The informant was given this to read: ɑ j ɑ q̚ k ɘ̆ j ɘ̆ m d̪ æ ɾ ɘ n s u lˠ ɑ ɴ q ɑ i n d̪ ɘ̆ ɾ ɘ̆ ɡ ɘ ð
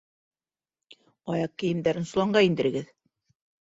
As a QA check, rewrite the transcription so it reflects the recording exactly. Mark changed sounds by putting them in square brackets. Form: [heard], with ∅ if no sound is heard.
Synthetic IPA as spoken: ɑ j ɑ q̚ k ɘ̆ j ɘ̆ m d̪ æ ɾ ɘ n s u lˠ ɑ ɴ [ɢ] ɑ i n d̪ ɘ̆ ɾ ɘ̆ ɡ ɘ ð